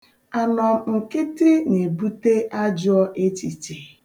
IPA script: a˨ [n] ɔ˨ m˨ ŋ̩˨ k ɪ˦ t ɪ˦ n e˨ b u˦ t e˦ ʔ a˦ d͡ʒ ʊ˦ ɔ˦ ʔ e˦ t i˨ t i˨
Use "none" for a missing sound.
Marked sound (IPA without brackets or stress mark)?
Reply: n